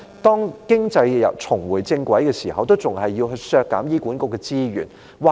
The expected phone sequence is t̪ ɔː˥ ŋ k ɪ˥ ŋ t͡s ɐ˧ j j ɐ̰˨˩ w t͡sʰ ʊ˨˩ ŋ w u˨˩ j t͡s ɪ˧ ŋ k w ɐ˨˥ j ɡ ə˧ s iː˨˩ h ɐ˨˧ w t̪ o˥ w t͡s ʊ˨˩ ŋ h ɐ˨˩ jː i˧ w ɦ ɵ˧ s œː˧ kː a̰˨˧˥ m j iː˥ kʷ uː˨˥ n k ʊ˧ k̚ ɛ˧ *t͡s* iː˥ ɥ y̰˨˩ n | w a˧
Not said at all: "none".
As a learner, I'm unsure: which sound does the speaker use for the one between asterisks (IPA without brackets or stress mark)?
t͡s